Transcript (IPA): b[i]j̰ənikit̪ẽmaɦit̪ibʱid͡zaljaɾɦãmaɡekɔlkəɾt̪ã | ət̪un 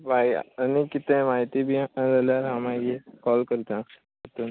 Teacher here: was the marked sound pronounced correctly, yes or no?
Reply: no